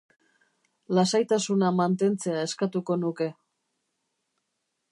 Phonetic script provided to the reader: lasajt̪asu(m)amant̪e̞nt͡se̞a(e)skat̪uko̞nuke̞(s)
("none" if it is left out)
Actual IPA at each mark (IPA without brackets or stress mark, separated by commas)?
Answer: n, e, none